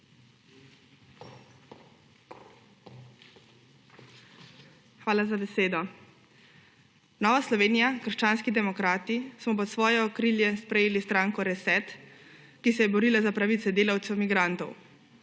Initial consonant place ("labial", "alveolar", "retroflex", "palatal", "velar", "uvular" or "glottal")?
velar